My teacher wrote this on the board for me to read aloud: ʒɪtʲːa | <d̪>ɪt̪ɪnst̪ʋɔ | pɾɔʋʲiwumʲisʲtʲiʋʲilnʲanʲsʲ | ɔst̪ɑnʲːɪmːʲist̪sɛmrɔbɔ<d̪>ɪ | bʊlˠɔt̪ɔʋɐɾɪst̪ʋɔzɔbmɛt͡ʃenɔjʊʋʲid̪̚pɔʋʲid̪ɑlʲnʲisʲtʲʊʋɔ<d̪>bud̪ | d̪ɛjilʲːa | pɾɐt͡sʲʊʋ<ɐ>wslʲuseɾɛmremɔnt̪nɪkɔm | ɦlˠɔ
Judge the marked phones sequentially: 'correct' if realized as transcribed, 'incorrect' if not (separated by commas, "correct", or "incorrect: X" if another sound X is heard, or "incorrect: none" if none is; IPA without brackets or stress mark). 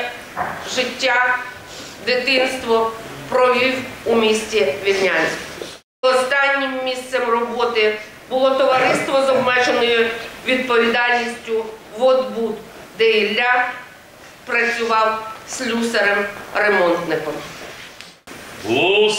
correct, incorrect: t̪, correct, incorrect: ɑ